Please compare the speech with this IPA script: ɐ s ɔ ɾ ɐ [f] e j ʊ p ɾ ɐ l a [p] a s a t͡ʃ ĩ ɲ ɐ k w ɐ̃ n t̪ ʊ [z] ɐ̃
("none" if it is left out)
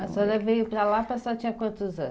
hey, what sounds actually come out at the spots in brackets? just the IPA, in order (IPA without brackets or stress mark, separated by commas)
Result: v, p, z